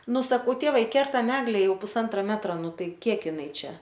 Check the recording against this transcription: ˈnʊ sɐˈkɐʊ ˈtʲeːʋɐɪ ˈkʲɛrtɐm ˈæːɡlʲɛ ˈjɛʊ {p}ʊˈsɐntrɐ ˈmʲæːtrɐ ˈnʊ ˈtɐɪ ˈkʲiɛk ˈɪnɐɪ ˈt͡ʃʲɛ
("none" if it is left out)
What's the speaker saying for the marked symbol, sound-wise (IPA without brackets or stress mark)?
p